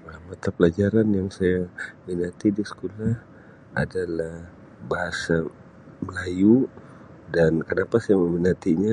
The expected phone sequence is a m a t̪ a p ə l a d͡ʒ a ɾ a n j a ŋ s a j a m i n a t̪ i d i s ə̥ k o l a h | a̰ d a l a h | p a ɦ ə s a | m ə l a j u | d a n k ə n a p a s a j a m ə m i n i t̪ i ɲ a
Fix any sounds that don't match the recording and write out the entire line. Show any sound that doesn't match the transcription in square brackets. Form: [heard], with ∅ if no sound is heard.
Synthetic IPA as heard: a m a t̪ a p ə l a d͡ʒ a ɾ a n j a ŋ s a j a m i n a t̪ i d i s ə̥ k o l a h | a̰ d a l a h | [b] a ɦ [a] s a | m ə l a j u | d a n k ə n a p a s a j a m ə m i n [a] t̪ i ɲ a

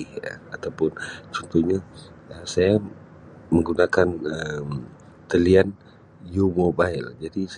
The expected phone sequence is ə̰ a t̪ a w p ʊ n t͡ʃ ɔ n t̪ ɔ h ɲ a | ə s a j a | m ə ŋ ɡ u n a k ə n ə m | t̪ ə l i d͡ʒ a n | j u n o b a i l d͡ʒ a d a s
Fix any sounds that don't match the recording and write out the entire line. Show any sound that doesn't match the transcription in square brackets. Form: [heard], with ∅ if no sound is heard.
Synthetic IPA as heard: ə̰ a t̪ a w p ʊ n t͡ʃ ɔ n t̪ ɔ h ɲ a | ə s a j a | m ə ŋ ɡ u n a k [a] n ə m | t̪ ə l i [∅] a n | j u [m] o b a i l d͡ʒ a d [i] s

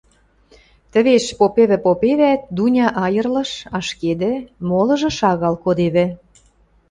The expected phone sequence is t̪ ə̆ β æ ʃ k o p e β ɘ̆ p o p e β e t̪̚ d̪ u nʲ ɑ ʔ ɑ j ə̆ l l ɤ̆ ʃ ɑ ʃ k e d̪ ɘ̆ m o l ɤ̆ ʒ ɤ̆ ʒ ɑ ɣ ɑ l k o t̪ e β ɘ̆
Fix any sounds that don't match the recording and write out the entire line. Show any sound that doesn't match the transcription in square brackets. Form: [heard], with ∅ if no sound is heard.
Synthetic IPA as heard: t̪ ə̆ β [e] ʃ [p] o p e β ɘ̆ p o p e β [æ] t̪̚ d̪ u nʲ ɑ ʔ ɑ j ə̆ [r] l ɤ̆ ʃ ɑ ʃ k e d̪ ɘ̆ m o l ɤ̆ ʒ ɤ̆ [ʃ] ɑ ɣ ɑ l k o [d̪] e β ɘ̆

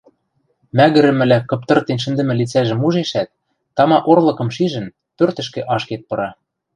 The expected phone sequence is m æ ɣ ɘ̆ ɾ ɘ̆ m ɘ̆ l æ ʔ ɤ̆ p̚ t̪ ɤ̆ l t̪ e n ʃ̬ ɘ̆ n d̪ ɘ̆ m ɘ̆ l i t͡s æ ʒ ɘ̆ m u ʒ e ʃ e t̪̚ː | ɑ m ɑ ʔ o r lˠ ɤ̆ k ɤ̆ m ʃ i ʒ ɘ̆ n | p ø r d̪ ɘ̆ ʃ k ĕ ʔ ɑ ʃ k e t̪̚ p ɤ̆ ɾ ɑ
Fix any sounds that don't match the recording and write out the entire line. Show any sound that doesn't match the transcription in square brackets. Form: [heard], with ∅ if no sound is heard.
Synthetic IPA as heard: m æ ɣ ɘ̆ ɾ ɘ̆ m ɘ̆ l æ [k] ɤ̆ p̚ t̪ ɤ̆ [r] t̪ e n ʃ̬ ɘ̆ n d̪ ɘ̆ m ɘ̆ l i t͡s æ ʒ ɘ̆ m u ʒ e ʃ [æ] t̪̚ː | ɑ m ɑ ʔ o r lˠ ɤ̆ k ɤ̆ m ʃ i ʒ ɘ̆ n | p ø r [t̪] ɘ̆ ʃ k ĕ ʔ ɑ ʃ k e t̪̚ p ɤ̆ ɾ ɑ

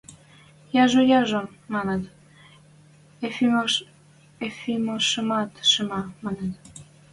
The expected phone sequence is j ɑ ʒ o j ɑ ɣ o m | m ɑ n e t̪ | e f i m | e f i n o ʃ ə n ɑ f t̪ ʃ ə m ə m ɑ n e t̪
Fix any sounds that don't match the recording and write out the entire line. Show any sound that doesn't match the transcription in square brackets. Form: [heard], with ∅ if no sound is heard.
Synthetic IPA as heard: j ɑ ʒ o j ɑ [ʒ] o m | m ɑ n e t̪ | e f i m | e f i [m] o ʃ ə [m] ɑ [∅] t̪ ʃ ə m [ɑ] m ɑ n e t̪

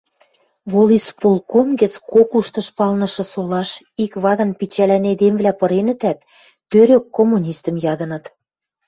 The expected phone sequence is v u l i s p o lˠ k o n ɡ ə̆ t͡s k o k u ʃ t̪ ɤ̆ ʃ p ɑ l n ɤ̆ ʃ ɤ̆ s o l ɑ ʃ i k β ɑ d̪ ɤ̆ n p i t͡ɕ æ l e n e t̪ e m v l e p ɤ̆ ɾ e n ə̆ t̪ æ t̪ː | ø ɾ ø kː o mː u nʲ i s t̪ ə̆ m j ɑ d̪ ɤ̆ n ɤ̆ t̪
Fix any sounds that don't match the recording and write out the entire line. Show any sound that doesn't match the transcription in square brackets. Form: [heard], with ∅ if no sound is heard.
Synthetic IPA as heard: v [o] l i s p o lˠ k o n ɡ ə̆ t͡s k o k u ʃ t̪ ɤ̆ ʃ p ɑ l n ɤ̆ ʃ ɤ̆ s o l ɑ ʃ i k β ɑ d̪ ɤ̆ n p i t͡ɕ æ l [æ] n e [d̪] e m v l [æ] p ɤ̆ ɾ e n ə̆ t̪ æ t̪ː | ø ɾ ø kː o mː u nʲ i s t̪ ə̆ m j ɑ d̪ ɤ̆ n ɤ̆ t̪

